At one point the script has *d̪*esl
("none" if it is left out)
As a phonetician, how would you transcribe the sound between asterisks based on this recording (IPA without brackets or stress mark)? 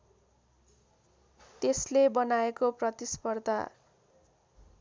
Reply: t̪